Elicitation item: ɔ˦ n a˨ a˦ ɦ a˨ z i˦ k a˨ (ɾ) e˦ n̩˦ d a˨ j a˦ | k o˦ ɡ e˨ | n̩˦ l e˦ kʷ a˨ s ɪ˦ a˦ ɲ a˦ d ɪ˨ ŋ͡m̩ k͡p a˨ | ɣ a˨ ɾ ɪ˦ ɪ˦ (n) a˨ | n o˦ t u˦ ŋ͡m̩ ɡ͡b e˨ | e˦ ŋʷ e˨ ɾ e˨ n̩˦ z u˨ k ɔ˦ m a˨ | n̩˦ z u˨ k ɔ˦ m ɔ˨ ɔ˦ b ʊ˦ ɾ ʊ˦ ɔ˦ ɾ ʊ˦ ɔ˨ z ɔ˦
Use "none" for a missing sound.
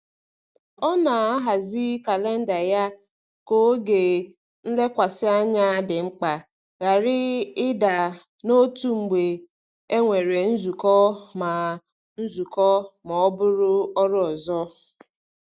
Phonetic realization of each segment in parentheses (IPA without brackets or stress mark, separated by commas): l, d